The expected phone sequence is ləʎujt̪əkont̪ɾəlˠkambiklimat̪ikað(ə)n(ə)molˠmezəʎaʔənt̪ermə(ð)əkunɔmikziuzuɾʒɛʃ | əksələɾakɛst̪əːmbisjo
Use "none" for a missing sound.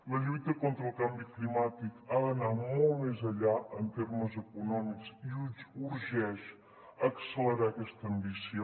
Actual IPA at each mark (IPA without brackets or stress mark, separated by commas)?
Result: ə, a, z